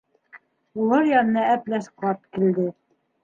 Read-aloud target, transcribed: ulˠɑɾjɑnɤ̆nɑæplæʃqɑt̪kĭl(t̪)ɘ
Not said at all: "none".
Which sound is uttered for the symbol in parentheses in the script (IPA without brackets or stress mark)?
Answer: d̪